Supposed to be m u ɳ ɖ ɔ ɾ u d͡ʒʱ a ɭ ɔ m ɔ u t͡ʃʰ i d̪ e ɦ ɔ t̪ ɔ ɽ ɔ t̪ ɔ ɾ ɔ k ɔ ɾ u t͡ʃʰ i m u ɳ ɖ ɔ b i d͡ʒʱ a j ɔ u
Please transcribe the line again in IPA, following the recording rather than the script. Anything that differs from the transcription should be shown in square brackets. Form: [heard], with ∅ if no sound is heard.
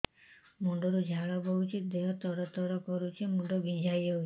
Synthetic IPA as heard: m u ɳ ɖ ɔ ɾ u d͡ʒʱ a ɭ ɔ [b] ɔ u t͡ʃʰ i d̪ e ɦ ɔ t̪ ɔ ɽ ɔ t̪ ɔ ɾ ɔ k ɔ ɾ u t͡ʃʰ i m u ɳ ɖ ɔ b i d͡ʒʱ a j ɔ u